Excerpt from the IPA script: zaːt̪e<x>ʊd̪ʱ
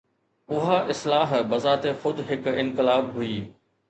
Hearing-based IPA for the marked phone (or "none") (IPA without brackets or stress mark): x